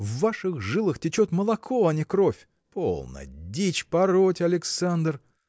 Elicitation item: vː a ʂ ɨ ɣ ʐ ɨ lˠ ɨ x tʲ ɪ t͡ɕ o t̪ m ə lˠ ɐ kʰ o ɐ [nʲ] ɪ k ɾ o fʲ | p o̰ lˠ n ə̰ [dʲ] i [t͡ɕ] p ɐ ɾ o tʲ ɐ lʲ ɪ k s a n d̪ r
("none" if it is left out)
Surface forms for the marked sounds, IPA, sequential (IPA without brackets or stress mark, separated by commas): nʲ, dʲ, t͡ɕ